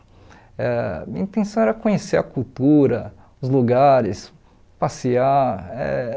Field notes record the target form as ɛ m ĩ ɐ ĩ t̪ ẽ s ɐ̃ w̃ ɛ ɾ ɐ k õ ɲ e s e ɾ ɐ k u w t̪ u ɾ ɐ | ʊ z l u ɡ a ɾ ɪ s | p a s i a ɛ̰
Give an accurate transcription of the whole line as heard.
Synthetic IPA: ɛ m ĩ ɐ ĩ t̪ ẽ s ɐ̃ w̃ ɛ ɾ ɐ k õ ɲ e s e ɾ ɐ k u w t̪ u ɾ ɐ | ʊ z l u ɡ a ɾ ɪ s | p a s i a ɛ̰